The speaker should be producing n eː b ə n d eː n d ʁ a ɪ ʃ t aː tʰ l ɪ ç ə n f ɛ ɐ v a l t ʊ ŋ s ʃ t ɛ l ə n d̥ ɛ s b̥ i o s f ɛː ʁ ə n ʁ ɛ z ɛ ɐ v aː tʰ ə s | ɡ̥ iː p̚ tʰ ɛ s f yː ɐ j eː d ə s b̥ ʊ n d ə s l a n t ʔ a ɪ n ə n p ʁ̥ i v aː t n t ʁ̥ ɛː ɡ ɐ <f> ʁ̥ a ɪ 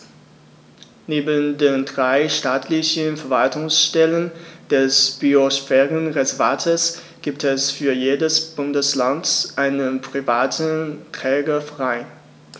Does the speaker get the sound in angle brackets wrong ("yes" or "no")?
no